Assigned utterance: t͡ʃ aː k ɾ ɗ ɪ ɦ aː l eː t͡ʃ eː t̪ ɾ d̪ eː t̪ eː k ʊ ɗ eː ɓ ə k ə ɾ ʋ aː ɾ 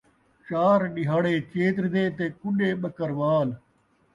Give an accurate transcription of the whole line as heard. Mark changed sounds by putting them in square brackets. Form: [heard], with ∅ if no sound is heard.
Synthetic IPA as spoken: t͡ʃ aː [∅] ɾ ɗ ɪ ɦ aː [ɽ] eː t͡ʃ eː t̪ ɾ d̪ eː t̪ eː k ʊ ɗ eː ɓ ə k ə ɾ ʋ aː [l]